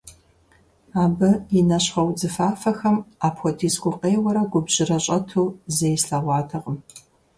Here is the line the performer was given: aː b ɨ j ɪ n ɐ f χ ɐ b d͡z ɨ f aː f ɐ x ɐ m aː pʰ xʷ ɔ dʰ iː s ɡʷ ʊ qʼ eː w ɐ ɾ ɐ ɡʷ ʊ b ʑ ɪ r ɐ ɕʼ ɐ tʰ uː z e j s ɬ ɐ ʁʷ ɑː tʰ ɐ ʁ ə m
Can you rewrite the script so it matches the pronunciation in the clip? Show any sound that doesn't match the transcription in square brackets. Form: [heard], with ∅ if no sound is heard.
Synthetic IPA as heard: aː b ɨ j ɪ n ɐ [ɕ] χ ɐ [w] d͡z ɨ f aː f ɐ x ɐ m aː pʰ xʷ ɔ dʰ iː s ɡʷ ʊ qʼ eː w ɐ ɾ ɐ ɡʷ ʊ b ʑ ɪ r ɐ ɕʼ ɐ tʰ uː z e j s ɬ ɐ ʁʷ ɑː tʰ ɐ ʁ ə m